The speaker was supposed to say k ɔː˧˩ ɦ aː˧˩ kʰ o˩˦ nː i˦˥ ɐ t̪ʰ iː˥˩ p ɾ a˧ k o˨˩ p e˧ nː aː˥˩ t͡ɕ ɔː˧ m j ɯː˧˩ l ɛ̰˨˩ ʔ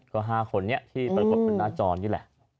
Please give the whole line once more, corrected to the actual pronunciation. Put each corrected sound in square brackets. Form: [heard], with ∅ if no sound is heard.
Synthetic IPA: k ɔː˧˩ ɦ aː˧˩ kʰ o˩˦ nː i˦˥ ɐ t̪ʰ iː˥˩ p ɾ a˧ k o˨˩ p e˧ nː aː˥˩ t͡ɕ ɔː˧ [n] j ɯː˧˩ l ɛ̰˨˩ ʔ